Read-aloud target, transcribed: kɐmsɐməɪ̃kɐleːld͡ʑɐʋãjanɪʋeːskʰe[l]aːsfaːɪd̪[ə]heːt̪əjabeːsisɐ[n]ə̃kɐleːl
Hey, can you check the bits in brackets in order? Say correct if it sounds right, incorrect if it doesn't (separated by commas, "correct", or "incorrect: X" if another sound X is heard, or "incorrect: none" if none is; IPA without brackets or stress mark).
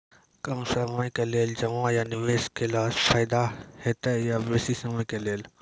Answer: correct, incorrect: a, incorrect: m